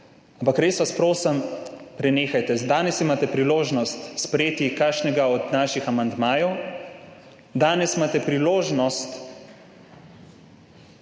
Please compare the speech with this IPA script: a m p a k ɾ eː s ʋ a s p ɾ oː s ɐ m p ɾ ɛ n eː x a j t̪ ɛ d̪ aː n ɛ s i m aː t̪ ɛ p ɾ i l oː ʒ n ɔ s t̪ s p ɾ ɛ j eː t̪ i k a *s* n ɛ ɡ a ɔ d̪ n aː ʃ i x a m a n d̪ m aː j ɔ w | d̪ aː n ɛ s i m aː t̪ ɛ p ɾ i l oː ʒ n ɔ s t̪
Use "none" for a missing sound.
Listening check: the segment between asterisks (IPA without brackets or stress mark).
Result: ʃ